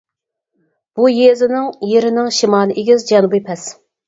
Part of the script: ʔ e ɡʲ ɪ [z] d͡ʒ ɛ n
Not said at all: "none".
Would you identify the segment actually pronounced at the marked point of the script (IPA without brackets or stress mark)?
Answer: z